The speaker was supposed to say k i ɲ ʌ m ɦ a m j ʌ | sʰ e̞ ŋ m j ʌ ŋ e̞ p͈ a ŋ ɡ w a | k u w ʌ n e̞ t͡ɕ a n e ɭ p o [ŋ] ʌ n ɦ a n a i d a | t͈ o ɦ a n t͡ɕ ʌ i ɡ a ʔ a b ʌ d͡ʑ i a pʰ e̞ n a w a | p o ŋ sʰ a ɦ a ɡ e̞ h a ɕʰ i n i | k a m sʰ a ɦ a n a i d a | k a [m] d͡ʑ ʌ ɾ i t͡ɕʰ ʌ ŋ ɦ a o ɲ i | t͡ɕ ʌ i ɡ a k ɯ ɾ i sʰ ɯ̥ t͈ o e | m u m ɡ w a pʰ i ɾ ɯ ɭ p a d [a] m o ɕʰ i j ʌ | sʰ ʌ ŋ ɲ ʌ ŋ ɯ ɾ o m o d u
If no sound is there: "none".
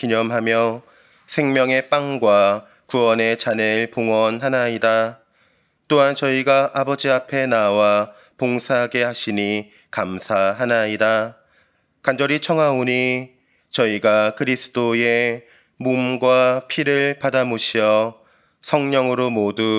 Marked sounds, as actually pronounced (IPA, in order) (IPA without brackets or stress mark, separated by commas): ŋ, n, a